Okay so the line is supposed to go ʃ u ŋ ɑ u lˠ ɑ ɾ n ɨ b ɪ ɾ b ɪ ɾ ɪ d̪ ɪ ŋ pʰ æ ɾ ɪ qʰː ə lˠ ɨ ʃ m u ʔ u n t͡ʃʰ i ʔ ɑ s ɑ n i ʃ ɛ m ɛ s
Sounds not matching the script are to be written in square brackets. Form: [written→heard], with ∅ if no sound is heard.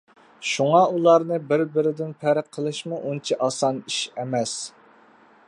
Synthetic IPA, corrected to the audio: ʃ u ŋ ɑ u lˠ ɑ ɾ n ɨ b ɪ ɾ b ɪ ɾ ɪ d̪ ɪ [ŋ→n] pʰ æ ɾ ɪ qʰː ə lˠ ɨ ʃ m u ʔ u n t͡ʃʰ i ʔ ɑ s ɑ n i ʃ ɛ m ɛ s